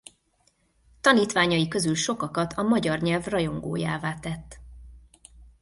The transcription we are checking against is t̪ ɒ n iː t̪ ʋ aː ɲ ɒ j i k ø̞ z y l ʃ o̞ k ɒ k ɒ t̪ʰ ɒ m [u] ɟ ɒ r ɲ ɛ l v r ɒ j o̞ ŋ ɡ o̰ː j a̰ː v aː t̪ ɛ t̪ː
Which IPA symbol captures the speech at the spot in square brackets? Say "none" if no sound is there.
ɒ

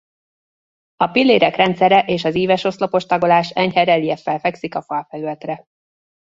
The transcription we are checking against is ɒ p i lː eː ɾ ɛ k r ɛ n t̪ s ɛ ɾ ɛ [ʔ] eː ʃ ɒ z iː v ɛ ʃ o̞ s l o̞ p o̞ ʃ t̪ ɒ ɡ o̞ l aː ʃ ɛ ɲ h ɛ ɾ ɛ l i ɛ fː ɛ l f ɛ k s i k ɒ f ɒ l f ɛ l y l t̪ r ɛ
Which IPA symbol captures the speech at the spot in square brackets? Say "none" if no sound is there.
ʔ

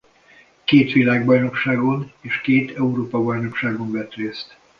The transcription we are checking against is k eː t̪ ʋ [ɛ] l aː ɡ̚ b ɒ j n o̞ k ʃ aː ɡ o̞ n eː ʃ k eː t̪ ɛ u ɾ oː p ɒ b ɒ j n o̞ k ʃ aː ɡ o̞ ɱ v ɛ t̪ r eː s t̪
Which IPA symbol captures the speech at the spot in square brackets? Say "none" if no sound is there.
i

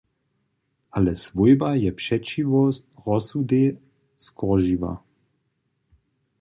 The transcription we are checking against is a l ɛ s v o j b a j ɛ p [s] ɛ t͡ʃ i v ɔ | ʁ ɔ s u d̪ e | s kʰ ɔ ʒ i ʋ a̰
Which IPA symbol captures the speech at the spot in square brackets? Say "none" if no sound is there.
ʃ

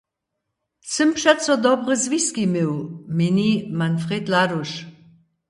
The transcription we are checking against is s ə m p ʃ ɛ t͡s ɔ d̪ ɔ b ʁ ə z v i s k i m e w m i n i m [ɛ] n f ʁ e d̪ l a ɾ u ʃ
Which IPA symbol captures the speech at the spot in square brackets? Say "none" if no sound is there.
a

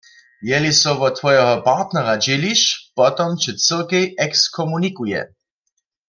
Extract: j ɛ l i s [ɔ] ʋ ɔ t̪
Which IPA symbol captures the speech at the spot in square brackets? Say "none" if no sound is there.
ɔ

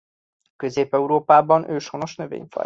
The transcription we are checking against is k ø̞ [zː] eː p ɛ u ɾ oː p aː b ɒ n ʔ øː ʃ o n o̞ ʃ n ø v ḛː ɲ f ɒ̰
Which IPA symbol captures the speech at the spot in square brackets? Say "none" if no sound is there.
z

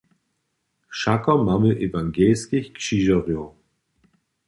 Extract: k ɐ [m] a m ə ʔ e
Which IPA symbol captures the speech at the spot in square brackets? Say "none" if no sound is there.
m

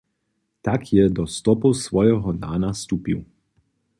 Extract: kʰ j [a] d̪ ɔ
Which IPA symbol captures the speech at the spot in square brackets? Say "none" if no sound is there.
ɛ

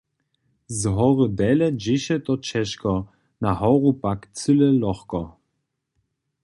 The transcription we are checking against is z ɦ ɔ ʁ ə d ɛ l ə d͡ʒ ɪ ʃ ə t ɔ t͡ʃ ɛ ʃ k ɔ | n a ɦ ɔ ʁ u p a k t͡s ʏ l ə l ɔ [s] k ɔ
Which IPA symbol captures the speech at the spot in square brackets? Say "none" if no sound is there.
χ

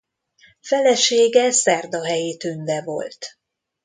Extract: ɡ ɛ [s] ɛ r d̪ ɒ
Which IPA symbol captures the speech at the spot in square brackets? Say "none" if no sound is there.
s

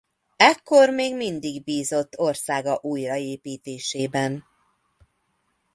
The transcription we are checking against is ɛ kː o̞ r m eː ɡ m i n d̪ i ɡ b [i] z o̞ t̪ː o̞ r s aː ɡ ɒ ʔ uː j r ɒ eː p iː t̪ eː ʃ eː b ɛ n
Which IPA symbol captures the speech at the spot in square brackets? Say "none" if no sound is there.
iː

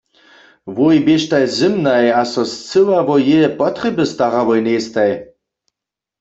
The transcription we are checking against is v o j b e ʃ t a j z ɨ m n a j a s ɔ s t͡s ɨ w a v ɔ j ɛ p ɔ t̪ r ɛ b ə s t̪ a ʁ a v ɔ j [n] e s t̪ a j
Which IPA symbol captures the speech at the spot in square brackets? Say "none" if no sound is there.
n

